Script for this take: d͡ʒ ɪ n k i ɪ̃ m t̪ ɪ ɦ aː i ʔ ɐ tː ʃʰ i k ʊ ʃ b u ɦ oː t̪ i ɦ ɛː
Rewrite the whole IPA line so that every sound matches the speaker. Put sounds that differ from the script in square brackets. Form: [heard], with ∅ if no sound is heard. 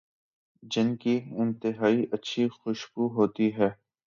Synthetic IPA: d͡ʒ ɪ n k i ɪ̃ [n] t̪ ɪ ɦ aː i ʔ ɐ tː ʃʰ i [x] ʊ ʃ b u ɦ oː t̪ i ɦ ɛː